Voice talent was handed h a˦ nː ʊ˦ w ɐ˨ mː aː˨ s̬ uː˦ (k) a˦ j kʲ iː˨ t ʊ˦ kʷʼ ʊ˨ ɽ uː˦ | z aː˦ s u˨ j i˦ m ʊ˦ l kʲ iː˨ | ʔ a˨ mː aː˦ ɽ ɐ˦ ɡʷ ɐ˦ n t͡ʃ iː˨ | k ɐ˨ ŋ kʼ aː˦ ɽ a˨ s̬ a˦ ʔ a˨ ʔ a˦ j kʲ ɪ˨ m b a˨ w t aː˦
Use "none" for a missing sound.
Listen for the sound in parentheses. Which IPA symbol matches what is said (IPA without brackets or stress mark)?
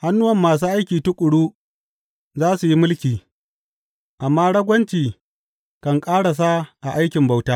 ʔ